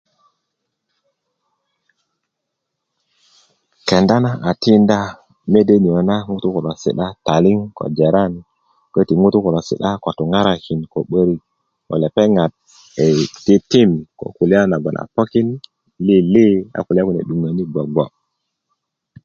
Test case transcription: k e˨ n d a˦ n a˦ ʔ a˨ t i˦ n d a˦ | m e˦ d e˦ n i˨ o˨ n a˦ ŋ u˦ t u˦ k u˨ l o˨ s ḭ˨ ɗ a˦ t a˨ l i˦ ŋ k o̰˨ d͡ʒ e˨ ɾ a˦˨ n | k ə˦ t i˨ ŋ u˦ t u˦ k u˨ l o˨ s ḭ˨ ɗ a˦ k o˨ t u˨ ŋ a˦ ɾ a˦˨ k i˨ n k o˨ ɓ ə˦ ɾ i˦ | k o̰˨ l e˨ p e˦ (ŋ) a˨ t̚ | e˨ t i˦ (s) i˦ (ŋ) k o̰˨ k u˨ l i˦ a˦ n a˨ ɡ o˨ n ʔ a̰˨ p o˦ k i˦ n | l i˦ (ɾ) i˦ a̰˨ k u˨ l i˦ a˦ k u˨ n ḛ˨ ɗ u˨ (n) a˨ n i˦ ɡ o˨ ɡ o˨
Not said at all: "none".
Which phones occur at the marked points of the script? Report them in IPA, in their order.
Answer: ŋ, t, m, l, ŋ

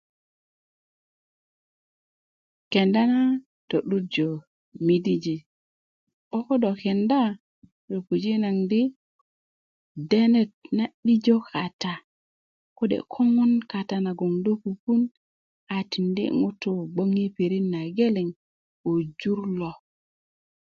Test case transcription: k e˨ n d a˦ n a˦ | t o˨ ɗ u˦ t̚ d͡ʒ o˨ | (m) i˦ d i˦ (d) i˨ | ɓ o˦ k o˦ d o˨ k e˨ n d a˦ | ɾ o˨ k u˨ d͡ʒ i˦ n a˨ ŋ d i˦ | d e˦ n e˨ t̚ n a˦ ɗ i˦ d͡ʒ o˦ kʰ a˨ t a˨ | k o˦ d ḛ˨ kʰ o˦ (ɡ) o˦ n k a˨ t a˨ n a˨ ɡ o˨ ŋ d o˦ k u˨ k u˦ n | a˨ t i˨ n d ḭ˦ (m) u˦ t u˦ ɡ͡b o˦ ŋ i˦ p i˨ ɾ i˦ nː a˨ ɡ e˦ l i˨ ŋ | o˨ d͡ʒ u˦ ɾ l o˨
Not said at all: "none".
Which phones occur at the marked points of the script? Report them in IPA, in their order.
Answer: m, d͡ʒ, ŋ, ŋ

